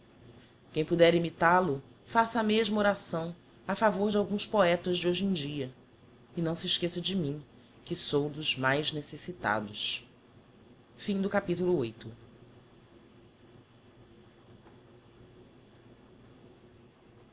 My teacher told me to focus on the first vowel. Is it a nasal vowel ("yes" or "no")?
yes